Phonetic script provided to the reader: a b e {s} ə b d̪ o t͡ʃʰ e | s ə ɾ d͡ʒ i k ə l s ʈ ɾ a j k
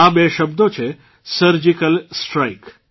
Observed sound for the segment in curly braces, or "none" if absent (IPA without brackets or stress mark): ʃ